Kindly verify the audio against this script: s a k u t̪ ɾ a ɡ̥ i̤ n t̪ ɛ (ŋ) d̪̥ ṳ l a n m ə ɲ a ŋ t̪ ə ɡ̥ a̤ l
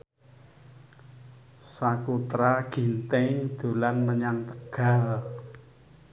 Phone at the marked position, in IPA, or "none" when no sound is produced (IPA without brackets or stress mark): ŋ